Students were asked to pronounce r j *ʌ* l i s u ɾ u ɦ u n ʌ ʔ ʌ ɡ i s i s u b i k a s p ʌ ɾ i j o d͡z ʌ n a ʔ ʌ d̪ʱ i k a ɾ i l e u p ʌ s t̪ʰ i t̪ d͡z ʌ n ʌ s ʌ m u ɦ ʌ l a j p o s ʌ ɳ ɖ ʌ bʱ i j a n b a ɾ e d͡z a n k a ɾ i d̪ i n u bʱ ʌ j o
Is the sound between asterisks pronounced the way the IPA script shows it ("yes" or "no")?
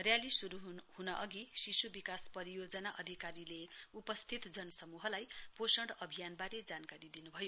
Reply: no